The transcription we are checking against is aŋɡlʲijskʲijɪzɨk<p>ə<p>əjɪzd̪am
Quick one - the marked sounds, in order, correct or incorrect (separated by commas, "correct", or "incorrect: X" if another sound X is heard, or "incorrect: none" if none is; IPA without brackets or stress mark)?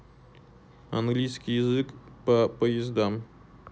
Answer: correct, correct